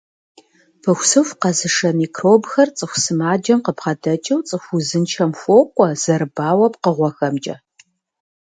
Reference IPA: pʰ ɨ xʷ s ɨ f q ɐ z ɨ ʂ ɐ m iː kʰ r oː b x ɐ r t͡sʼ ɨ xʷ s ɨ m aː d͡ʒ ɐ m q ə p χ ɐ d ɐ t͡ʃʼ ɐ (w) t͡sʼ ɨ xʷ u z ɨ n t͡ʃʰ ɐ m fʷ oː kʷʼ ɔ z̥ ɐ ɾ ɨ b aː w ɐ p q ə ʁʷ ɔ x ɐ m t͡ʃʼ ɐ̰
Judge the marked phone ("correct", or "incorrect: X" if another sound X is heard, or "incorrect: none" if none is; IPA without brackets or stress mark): correct